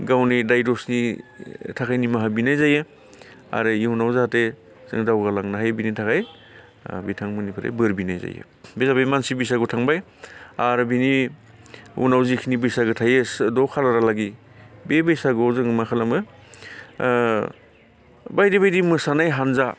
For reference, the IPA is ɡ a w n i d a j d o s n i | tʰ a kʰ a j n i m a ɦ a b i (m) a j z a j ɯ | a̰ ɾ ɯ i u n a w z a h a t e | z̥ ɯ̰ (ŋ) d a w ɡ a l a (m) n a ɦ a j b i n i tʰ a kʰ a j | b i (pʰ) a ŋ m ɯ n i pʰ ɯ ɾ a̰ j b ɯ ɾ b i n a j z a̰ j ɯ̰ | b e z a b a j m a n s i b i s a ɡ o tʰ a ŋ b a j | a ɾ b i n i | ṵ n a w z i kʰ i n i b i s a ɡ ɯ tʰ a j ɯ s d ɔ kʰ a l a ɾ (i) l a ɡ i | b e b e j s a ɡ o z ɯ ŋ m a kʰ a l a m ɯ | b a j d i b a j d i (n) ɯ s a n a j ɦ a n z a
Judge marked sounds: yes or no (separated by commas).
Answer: no, yes, no, no, no, no